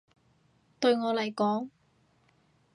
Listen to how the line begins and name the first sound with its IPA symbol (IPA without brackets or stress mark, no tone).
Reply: t̪